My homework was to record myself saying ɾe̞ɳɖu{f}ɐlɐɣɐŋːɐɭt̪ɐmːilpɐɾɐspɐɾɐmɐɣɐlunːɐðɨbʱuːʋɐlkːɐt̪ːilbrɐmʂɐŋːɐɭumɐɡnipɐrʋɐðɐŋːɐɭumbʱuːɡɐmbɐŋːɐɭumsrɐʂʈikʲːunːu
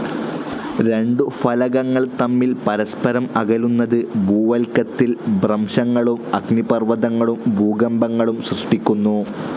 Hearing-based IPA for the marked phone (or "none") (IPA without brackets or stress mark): f